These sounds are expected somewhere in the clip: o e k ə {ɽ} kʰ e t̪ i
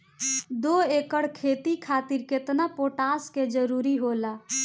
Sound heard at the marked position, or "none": ɽ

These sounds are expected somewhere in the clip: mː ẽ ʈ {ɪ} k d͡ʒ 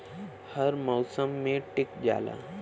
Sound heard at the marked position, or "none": ɪ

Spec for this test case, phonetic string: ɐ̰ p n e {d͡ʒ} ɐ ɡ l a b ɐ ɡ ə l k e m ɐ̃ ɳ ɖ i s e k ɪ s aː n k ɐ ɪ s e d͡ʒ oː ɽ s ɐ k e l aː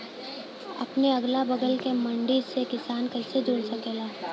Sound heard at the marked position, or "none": none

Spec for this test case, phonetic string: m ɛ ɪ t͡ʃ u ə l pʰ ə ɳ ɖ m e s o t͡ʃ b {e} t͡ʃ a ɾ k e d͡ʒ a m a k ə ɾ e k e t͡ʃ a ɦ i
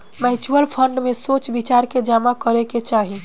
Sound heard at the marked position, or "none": i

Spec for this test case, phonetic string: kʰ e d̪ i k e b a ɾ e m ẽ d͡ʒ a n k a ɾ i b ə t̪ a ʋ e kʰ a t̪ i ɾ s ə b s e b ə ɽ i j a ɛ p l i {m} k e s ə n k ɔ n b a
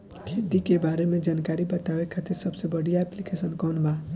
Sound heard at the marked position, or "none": none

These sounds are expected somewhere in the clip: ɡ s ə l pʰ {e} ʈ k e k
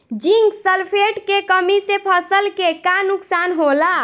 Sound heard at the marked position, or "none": e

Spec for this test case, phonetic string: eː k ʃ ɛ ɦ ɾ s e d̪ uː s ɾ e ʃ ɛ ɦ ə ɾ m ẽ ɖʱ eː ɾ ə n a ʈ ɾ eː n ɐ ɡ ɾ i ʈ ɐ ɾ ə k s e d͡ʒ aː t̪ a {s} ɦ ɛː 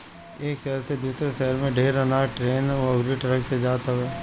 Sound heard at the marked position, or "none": none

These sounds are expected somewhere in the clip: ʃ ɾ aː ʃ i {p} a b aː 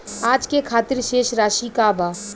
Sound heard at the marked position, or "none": k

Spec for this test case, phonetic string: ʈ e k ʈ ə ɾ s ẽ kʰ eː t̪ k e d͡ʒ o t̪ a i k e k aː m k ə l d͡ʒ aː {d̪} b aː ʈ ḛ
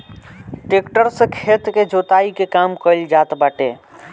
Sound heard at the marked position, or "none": t̪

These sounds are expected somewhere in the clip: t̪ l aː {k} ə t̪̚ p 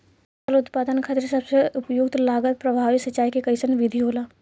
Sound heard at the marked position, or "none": ɡ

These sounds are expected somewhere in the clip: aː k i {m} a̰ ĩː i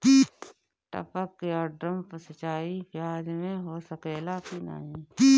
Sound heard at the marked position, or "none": n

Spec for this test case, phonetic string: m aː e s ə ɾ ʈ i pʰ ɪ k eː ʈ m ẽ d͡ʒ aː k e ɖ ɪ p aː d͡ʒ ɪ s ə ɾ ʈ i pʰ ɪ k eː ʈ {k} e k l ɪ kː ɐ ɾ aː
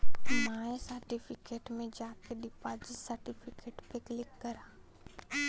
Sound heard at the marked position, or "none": p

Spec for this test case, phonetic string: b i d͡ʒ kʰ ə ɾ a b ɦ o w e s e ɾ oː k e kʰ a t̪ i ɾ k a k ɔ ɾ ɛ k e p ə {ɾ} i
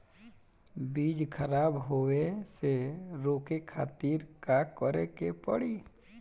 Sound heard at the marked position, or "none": ɽ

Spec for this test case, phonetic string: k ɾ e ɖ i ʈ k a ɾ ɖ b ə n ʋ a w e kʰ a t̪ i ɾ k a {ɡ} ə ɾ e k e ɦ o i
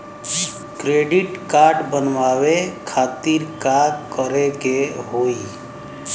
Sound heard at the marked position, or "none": k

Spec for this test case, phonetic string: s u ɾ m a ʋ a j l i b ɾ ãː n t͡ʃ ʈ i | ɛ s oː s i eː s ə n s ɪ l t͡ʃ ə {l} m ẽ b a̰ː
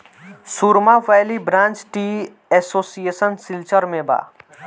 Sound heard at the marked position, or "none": ɾ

